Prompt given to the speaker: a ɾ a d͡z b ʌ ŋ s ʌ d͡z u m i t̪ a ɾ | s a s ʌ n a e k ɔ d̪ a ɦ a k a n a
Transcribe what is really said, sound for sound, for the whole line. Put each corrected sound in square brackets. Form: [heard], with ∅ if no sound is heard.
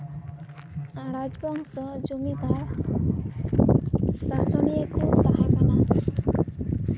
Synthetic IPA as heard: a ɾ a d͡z b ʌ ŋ s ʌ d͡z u m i [d̪] a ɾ | s a s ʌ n [i] e k [o] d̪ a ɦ a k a n a